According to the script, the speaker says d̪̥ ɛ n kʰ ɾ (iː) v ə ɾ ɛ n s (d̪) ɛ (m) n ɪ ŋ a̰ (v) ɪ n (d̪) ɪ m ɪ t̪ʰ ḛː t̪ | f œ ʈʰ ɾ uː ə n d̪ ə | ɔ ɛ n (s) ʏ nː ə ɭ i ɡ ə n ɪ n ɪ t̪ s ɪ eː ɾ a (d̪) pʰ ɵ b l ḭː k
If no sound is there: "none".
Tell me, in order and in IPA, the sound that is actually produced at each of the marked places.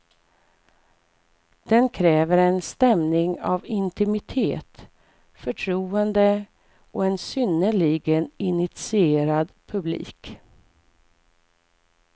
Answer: ɛː, t̪, m, v, t̪, s, d̪

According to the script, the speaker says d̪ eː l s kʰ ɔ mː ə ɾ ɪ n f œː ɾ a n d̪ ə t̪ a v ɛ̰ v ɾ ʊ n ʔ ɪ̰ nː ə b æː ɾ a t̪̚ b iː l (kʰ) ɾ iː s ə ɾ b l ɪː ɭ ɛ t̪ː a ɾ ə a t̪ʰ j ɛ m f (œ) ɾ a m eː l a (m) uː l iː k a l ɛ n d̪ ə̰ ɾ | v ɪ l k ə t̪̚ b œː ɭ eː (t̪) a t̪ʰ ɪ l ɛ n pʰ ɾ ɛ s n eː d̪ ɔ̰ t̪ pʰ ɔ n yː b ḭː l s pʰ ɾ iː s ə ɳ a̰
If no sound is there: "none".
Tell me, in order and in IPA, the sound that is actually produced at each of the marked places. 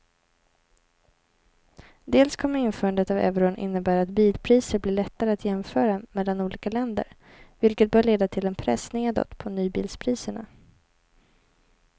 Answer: pʰ, œː, n, d̪

